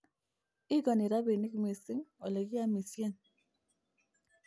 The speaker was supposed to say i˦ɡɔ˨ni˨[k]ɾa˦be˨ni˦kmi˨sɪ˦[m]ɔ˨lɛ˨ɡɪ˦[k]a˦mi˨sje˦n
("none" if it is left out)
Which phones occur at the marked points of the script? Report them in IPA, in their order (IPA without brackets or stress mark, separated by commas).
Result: none, ŋ, none